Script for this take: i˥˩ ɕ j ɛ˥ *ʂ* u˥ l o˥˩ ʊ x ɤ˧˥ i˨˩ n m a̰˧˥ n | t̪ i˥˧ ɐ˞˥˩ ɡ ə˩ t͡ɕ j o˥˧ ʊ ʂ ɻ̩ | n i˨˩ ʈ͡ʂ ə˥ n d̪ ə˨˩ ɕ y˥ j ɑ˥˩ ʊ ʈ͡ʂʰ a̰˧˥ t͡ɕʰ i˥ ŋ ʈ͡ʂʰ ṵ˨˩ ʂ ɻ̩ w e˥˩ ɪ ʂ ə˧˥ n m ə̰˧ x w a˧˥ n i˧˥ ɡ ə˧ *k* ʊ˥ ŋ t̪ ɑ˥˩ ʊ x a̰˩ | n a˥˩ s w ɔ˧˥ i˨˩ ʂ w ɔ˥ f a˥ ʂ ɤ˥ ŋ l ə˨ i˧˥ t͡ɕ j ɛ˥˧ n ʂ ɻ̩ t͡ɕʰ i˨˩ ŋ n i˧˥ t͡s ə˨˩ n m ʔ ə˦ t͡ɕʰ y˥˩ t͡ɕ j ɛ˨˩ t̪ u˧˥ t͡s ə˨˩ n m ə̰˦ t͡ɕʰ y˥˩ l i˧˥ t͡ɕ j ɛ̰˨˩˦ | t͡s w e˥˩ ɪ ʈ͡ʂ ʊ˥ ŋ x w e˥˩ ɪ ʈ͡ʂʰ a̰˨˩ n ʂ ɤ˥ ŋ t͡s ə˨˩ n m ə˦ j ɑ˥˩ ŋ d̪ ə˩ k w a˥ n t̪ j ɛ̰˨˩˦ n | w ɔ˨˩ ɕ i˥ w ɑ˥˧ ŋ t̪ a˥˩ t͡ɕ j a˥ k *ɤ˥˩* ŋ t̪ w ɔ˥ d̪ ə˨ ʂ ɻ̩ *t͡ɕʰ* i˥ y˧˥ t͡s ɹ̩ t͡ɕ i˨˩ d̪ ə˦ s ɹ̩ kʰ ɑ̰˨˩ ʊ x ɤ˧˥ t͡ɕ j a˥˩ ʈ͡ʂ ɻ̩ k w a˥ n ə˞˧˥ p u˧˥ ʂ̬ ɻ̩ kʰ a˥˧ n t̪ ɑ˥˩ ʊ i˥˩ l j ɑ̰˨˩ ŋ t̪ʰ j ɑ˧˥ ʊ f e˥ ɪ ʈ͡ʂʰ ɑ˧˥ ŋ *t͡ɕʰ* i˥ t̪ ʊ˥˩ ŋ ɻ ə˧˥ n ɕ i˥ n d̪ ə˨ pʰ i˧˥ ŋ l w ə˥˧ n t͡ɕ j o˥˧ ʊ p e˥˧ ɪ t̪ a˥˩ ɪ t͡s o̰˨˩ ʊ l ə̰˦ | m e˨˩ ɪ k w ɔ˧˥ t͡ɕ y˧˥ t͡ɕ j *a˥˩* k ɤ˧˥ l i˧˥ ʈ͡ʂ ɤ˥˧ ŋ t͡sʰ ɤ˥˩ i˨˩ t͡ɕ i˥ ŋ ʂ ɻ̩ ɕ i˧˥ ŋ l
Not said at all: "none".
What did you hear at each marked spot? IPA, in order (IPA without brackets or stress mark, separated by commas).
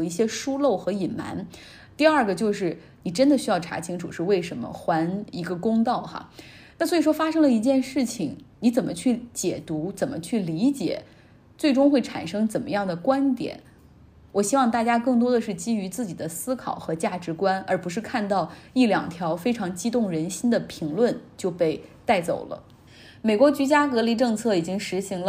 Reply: ʂ, k, ɤ˥˩, t͡ɕ, t͡ɕ, a˥